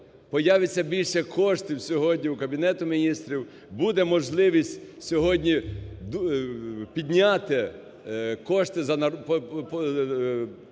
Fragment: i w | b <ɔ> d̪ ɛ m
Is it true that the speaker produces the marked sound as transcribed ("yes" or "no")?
no